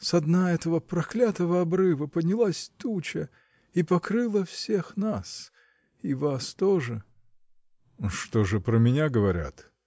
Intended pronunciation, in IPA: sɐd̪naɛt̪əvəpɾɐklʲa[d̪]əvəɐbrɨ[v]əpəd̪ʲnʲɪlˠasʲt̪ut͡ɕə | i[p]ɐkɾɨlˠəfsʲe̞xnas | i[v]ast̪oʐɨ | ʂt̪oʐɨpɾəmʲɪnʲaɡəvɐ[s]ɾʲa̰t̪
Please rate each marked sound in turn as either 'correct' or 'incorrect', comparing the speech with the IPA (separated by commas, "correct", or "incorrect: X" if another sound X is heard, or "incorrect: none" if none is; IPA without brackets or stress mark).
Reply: incorrect: t̪, correct, correct, correct, incorrect: none